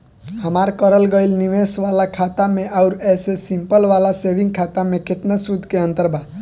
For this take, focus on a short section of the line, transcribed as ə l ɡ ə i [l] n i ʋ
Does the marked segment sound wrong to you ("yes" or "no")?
no